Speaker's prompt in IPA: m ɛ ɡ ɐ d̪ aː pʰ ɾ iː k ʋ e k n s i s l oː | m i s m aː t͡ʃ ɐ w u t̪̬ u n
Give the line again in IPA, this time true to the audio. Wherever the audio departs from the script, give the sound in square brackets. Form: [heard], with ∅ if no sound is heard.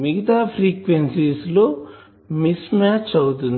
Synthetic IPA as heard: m [i] ɡ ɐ [t̪] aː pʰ ɾ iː k ʋ e [∅] n s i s l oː | m i s m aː t͡ʃ ɐ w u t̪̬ u n